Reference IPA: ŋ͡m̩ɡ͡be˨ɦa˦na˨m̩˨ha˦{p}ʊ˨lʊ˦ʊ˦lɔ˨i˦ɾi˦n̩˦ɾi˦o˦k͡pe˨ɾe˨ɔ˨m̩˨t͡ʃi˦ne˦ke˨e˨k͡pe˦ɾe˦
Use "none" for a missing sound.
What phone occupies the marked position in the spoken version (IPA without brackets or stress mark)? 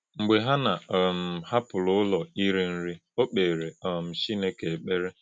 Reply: p